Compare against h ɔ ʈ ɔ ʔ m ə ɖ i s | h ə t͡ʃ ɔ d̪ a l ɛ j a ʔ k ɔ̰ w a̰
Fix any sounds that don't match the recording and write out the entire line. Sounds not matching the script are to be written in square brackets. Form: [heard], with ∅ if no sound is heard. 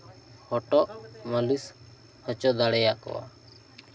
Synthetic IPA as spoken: h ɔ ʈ ɔ ʔ m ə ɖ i s | h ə t͡ʃ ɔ d̪ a [ɽ] ɛ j a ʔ k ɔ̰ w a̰

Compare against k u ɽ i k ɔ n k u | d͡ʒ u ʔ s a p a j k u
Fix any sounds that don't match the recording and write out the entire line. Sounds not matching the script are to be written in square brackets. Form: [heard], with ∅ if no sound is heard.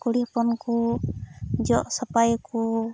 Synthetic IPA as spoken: k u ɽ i [p] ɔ n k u | d͡ʒ [ɔ] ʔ s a p a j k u

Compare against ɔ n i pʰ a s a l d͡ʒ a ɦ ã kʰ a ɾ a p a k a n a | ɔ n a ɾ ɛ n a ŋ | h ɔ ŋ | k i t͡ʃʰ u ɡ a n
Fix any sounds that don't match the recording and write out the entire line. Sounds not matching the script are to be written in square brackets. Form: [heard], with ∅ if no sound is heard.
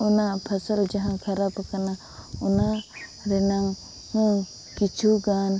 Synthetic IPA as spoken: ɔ n [a] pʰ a s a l d͡ʒ a ɦ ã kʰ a ɾ a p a k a n a | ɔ n a ɾ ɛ n a ŋ | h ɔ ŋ | k i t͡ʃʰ u ɡ a n

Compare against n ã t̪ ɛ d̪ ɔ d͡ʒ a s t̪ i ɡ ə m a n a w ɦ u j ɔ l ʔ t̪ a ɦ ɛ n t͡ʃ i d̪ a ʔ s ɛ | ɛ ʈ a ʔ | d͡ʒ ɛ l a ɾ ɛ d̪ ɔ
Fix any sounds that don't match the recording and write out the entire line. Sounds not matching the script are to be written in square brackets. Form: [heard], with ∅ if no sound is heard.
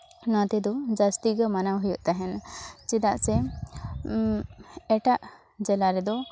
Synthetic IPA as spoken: n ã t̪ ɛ d̪ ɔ d͡ʒ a s t̪ i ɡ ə m a n a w ɦ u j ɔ [∅] ʔ t̪ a ɦ ɛ n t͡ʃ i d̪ a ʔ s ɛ | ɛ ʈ a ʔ | d͡ʒ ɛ l a ɾ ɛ d̪ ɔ

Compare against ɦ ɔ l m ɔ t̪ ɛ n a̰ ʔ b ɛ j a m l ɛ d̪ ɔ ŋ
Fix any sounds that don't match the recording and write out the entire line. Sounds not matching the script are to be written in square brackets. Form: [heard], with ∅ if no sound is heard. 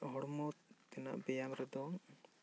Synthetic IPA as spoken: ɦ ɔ [ɽ] m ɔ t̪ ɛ n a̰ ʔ b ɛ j a m [ɾ] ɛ d̪ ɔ ŋ

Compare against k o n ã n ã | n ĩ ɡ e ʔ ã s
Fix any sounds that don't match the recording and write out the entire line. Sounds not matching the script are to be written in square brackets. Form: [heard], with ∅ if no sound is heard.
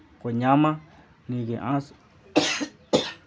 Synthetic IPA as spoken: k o [ɲ] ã [m] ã | n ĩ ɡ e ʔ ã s

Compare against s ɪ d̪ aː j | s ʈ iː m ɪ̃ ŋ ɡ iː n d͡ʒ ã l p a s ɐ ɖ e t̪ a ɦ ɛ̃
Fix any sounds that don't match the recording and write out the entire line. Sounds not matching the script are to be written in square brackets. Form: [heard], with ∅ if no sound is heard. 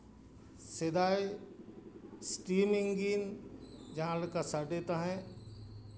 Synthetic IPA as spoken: s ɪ d̪ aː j | s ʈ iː m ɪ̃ ŋ ɡ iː n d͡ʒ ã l [k] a s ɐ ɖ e t̪ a ɦ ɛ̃

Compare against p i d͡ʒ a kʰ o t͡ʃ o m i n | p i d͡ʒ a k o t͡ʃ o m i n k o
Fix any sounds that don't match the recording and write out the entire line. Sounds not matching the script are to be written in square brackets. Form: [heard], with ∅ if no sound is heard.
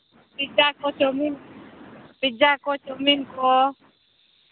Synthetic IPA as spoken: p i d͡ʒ a [k] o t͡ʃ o m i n | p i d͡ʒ a k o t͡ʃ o m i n k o

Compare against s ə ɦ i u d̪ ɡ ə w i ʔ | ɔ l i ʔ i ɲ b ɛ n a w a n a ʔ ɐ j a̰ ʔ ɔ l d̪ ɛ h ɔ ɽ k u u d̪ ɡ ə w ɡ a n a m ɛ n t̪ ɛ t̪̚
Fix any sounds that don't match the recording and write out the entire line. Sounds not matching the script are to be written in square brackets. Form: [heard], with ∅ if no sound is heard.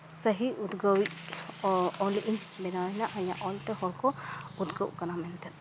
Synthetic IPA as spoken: s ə ɦ i u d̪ ɡ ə w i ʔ | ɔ l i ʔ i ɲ b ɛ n a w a n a ʔ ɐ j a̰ ʔ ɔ l [t̪] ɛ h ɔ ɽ k [ɔ] u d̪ ɡ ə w [k] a n a m ɛ n t̪ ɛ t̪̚

